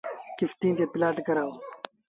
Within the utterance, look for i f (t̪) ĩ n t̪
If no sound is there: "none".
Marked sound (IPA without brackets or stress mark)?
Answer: t̪